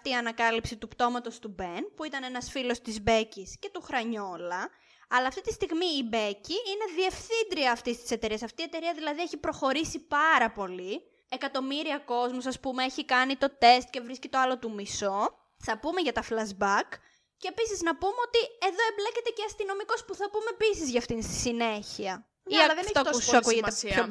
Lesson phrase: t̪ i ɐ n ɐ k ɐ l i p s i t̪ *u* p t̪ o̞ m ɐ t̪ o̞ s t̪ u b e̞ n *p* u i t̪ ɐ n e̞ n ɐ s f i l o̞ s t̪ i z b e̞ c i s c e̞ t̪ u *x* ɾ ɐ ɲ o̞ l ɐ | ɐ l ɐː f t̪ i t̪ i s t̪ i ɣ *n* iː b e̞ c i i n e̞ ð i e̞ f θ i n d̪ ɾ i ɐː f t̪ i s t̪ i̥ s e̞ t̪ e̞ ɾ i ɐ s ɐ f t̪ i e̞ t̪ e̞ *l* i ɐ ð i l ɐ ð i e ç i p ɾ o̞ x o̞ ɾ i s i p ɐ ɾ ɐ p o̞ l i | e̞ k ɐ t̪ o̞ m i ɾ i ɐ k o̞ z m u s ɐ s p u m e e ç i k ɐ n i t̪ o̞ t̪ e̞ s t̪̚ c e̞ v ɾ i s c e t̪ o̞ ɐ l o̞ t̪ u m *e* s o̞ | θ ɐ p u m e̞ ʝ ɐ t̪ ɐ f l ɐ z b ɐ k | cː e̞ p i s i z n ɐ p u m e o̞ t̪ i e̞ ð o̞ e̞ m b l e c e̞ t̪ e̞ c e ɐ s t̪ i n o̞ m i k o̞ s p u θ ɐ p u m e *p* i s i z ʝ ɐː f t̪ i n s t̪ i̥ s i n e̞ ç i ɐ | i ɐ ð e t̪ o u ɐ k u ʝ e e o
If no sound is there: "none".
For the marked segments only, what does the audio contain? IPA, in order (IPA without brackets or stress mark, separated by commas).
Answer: u, p, x, m, ɾ, i, p